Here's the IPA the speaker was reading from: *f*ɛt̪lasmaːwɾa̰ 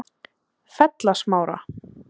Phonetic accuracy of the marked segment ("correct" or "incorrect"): correct